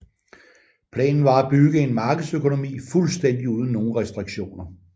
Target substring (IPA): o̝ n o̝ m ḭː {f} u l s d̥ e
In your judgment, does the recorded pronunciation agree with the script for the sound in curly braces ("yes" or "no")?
yes